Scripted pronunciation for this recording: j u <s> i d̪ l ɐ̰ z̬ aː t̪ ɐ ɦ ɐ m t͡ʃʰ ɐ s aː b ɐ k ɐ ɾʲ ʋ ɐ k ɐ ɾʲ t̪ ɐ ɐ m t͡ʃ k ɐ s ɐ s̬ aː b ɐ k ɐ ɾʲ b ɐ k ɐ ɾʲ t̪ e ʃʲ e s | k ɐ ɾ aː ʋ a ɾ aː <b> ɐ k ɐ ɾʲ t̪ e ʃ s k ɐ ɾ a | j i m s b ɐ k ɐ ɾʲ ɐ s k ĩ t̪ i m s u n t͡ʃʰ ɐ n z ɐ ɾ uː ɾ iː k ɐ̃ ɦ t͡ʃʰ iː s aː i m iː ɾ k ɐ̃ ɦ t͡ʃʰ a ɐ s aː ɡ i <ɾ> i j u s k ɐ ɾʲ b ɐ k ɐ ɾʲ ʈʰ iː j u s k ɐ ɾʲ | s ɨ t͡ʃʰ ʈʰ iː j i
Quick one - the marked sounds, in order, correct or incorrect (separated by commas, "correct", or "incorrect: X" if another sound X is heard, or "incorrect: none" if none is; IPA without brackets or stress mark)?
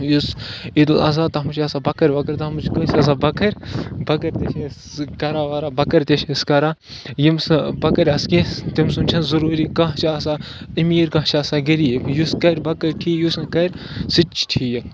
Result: correct, correct, correct